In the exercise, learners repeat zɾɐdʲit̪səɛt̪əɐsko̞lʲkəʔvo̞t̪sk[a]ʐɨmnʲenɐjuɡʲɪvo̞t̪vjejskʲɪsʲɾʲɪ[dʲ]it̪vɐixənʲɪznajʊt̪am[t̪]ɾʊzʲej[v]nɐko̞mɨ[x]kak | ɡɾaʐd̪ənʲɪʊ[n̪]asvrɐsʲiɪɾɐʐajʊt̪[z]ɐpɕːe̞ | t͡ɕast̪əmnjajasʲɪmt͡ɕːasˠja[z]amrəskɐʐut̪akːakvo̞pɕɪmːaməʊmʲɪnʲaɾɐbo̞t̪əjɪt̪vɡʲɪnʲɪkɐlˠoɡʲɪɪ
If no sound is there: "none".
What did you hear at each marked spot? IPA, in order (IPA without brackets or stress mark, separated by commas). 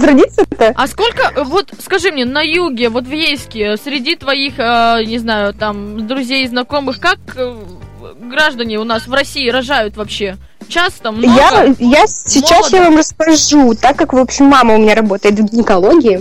ɐ, dʲ, d̪, z, x, n̪, v, v